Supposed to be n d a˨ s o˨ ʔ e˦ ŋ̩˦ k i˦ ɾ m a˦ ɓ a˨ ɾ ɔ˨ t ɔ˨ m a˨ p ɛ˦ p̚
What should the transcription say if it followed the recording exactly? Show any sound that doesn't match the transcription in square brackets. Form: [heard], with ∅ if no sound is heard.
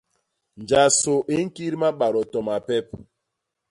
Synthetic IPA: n [d͡ʒ] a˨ s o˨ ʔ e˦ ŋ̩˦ k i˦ ɾ m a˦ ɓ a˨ ɾ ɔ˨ t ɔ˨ m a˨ p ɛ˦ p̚